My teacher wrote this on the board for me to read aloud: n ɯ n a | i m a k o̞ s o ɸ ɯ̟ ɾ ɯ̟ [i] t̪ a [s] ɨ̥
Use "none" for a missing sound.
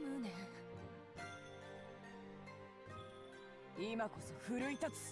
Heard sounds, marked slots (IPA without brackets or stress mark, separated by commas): i, t͡s